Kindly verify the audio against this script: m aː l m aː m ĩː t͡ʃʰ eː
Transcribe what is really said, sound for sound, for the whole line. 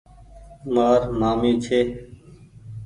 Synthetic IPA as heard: m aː ɾ m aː m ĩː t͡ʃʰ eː